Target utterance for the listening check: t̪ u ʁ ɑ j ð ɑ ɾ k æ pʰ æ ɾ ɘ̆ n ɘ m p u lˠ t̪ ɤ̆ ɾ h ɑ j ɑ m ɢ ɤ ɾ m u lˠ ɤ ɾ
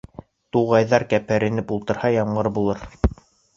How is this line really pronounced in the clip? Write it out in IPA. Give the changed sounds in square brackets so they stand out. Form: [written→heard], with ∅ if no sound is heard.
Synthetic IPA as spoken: t̪ u ʁ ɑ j ð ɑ ɾ k æ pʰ æ ɾ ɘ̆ n ɘ [m→∅] p u lˠ t̪ ɤ̆ ɾ h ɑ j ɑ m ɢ ɤ ɾ [m→b] u lˠ ɤ ɾ